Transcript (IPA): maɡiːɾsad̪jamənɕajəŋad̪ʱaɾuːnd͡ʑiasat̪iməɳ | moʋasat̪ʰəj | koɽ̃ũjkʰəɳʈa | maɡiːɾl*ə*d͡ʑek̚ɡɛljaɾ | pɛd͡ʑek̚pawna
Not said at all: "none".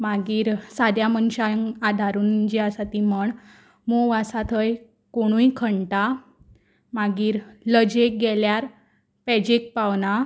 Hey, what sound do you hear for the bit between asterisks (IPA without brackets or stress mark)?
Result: ə